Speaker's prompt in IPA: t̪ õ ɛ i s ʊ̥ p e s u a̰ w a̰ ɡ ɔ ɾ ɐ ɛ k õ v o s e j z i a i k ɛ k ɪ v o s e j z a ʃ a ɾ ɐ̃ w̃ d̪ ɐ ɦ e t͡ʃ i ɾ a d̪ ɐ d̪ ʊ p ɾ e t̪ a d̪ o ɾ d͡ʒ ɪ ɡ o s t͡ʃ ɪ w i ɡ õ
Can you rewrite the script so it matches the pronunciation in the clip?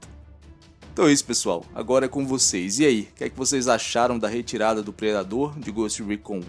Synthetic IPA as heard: t̪ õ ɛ i s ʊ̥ p e s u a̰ w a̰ ɡ ɔ ɾ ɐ ɛ k õ v o s e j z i a i k ɛ k ɪ v o s e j z a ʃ a ɾ ɐ̃ w̃ d̪ ɐ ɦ e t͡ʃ i ɾ a d̪ ɐ d̪ ʊ p ɾ e d̪ a d̪ o ɾ d͡ʒ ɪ ɡ o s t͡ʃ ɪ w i k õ